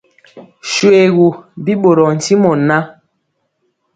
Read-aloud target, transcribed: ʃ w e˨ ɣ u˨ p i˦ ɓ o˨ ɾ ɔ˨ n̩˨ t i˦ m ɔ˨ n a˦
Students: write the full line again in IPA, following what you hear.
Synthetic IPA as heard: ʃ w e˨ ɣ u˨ b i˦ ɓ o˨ ɾ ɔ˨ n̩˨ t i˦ m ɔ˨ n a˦

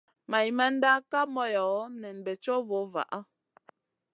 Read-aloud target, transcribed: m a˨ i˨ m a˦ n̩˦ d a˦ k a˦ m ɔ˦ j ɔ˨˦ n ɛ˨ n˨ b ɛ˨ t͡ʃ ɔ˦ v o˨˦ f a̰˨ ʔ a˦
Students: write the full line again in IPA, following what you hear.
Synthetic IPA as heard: m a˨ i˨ m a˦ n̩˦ d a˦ k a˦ m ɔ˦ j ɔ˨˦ n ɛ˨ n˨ b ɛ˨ t͡ʃ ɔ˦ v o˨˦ v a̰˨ ʔ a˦

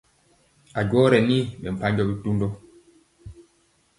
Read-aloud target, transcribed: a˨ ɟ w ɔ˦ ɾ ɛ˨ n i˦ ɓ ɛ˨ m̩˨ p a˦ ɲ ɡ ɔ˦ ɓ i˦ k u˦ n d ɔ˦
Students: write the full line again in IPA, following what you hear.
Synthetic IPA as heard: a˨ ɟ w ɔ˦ ɾ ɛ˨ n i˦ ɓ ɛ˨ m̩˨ p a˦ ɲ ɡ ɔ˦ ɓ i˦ t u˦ n d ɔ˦

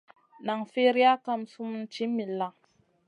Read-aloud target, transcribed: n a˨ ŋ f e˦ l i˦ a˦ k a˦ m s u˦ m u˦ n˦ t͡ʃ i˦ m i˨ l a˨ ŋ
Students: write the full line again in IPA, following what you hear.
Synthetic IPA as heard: n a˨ ŋ f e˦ ɾ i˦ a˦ k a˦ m s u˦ m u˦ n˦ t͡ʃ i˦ m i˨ l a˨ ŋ

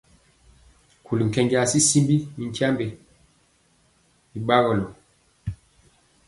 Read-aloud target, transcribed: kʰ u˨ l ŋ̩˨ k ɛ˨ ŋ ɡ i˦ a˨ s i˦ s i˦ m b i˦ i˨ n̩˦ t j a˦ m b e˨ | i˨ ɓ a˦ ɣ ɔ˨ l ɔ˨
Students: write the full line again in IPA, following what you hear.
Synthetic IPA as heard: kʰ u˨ l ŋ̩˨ k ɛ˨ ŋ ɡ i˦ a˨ s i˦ s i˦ m b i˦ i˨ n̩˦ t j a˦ m b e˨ | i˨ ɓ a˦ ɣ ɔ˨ l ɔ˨

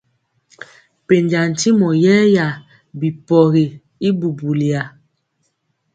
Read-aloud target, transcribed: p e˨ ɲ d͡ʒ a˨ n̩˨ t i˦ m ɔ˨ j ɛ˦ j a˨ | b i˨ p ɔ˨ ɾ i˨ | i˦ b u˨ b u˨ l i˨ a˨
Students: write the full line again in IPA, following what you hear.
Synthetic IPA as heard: p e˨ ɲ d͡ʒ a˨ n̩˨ t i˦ m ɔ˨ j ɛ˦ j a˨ | b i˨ p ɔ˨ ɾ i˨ | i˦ b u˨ b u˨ l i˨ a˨

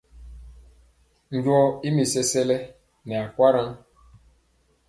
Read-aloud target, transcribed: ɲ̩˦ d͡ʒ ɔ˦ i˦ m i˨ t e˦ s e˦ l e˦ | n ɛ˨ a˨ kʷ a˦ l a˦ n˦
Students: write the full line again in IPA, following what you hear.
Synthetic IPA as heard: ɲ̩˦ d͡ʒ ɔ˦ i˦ m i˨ s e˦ s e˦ l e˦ | n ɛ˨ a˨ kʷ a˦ ɾ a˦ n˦

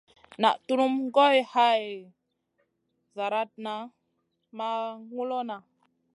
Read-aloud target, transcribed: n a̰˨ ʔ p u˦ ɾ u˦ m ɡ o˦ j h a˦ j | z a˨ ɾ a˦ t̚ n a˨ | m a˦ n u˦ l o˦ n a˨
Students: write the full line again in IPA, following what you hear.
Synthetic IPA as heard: n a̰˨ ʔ t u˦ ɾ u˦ m ɡ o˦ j h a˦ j | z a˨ ɾ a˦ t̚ n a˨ | m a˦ ŋ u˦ l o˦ n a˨

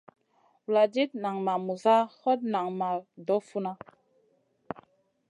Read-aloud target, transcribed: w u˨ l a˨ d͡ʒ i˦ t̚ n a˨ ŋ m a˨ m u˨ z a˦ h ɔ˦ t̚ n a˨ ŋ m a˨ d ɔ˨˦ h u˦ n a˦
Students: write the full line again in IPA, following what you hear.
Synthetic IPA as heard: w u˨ l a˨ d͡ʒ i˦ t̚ n a˨ ŋ m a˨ m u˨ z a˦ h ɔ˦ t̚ n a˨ ŋ m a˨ d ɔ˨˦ f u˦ n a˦

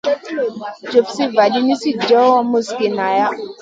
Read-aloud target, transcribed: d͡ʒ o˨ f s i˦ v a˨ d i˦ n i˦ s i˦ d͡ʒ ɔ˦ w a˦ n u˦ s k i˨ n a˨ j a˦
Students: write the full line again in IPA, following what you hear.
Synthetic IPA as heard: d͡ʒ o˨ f s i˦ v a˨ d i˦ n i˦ s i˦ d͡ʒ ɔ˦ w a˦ m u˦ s k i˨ n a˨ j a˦

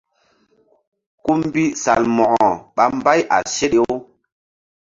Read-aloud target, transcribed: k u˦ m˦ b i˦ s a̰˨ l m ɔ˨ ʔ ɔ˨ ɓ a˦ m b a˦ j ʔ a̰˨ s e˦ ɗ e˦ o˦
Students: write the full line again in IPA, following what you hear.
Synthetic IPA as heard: k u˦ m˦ b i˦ s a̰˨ l m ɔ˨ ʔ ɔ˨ ɓ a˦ m b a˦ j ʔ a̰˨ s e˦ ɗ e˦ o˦

